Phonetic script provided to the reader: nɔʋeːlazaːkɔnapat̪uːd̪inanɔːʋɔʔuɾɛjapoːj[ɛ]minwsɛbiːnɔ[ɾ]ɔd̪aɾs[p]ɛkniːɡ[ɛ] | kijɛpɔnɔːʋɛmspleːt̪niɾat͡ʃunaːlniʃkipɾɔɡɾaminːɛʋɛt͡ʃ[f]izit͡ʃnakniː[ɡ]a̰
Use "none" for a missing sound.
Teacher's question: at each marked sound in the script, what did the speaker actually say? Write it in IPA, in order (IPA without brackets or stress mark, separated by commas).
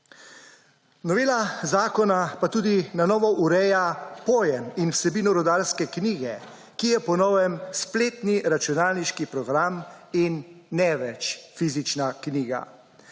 ɛ, ɾ, k, ɛ, f, ɡ